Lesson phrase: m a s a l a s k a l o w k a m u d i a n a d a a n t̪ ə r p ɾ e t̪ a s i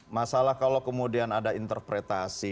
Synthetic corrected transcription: m a s a l a h k a l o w k ə m u d i a n a d a i n t̪ ə r p ɾ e t̪ a s i